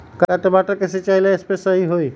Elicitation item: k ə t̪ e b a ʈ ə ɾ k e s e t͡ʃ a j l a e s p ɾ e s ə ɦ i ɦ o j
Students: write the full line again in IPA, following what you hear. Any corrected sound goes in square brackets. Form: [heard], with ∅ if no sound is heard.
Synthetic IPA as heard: k [a] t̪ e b a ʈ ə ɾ k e s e t͡ʃ a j l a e s p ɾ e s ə ɦ i ɦ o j

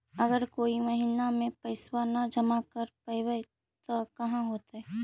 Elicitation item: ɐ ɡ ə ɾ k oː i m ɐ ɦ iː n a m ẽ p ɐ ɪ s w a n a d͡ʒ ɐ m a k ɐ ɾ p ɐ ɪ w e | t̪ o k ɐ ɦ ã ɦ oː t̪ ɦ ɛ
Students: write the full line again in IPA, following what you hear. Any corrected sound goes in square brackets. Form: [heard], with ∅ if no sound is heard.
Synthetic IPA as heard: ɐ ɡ ə ɾ k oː i m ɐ ɦ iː n a m ẽ p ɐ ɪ s w a n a d͡ʒ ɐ m a k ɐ ɾ p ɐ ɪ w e | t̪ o k ɐ ɦ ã ɦ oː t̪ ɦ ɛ

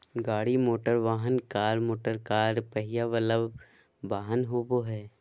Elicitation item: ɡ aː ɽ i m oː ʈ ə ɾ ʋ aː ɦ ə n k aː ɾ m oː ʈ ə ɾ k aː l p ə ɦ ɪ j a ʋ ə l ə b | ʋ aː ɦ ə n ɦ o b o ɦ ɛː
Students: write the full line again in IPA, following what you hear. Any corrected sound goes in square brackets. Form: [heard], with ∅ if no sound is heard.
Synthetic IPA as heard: ɡ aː ɽ i m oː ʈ ə ɾ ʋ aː ɦ ə n k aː ɾ m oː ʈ ə ɾ k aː [ɾ] p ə ɦ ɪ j a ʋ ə l ə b | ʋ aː ɦ ə n ɦ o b o ɦ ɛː

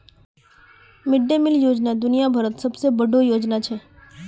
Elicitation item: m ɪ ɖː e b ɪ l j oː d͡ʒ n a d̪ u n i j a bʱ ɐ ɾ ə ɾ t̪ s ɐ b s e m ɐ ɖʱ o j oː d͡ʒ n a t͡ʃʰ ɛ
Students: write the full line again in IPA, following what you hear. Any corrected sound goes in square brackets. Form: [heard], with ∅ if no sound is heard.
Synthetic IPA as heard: m ɪ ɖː e [m] ɪ l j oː d͡ʒ n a d̪ [ʊ] n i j a bʱ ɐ ɾ ə [∅] t̪ s ɐ b s e [b] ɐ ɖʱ o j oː d͡ʒ n a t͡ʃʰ ɛ

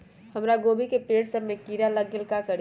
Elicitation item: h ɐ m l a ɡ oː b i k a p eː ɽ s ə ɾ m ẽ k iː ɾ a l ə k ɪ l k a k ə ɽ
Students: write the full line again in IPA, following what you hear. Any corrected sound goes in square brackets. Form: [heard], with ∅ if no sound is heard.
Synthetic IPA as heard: h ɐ m [ɾ] a ɡ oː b i k [e] p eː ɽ s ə ɾ m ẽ k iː ɾ a l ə [ɡ] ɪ l k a k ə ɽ

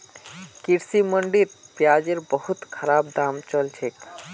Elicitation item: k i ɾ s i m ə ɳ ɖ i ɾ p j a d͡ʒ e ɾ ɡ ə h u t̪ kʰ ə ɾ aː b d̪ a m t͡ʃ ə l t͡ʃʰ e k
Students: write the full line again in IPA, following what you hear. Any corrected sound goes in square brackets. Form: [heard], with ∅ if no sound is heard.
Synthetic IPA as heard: k i ɾ s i m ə ɳ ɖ i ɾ p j a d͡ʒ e ɾ [b] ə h u t̪ kʰ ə ɾ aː b d̪ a m t͡ʃ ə l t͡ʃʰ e k

